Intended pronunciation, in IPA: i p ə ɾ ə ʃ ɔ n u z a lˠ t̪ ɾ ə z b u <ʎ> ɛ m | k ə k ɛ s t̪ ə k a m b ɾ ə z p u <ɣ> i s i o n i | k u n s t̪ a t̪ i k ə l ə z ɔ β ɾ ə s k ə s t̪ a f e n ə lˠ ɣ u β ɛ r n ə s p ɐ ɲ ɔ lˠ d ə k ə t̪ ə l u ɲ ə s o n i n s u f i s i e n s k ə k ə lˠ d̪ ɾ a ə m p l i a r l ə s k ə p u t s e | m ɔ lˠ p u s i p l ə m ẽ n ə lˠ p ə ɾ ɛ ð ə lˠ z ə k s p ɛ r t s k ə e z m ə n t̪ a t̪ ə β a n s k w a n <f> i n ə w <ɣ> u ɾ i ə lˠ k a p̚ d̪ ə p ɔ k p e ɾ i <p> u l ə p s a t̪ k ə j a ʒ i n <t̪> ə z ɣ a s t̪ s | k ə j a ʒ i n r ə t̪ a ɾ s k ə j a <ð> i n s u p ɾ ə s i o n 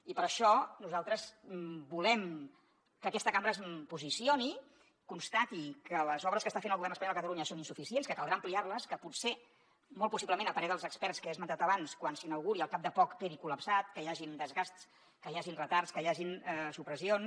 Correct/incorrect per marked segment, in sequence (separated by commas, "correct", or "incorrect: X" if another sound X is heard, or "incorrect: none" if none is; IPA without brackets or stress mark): incorrect: l, incorrect: z, incorrect: s, correct, incorrect: k, incorrect: d̪, incorrect: ʒ